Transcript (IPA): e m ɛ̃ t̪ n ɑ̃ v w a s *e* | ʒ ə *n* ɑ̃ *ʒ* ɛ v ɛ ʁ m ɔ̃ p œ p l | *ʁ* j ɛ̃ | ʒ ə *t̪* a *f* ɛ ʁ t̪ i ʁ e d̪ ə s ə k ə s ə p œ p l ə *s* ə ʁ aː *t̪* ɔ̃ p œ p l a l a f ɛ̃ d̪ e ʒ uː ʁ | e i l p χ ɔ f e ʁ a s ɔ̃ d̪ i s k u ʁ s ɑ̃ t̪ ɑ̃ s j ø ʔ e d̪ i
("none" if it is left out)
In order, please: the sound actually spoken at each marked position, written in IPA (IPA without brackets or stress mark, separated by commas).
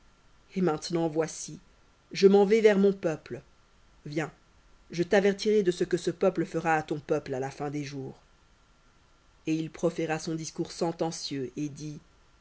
i, m, v, v, t̪, v, f, t̪